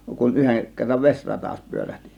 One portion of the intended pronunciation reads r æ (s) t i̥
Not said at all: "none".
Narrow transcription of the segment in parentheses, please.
h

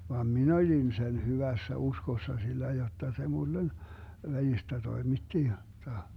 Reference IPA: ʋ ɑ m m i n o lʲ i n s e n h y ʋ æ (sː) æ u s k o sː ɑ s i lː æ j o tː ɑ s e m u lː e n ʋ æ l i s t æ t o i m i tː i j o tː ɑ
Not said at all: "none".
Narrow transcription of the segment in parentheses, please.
sː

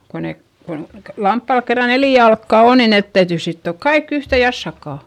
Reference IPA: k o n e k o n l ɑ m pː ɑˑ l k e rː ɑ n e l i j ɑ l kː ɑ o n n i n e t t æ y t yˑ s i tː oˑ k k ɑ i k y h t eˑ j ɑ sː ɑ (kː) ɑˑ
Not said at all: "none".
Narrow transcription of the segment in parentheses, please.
kː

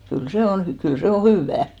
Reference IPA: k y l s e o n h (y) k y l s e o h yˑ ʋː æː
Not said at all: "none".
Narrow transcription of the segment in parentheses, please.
y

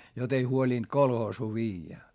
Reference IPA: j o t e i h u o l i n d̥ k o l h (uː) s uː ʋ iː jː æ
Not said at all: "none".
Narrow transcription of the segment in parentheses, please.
oː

